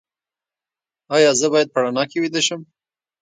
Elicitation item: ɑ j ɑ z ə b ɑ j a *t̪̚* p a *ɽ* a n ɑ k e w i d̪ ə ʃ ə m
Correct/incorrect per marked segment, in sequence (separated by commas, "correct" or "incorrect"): incorrect, correct